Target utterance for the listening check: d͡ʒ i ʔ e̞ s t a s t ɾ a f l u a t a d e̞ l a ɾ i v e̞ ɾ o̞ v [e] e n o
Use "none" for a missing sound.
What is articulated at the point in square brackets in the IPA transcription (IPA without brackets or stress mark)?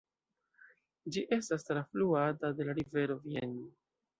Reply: i